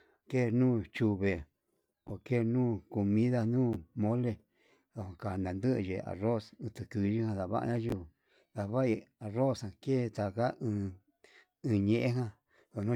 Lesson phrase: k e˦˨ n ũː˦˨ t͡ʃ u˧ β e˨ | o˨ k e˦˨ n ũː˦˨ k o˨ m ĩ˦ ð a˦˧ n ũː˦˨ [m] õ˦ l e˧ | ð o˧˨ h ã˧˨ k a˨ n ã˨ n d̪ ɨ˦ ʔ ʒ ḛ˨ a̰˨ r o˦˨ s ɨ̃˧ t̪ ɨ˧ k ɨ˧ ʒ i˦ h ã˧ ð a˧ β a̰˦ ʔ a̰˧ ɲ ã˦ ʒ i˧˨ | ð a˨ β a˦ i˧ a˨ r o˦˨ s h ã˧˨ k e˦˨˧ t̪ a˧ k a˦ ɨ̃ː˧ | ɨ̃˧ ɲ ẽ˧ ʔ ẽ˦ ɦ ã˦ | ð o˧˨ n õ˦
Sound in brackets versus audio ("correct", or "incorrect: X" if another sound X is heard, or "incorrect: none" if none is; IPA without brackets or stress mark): correct